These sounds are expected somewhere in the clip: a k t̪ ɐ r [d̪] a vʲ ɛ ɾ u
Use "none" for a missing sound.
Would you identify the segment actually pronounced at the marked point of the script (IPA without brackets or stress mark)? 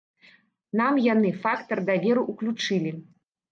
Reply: d̪